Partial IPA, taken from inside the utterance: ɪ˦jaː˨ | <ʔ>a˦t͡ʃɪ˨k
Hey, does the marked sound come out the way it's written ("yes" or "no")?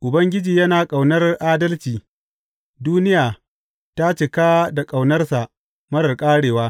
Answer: no